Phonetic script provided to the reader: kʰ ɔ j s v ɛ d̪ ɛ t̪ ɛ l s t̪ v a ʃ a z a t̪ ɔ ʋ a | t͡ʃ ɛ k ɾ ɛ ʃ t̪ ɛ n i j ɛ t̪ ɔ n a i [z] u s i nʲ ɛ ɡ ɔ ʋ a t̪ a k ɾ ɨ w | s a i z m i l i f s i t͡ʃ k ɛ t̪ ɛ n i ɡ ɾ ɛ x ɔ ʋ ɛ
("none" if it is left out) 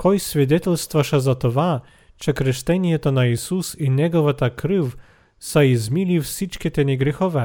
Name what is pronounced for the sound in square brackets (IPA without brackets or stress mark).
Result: s